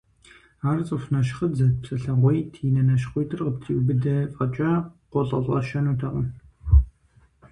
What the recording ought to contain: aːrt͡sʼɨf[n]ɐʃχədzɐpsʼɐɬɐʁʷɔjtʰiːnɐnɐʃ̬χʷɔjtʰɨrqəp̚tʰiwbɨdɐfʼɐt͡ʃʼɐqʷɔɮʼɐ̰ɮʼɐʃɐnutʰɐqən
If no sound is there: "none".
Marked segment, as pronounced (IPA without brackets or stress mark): n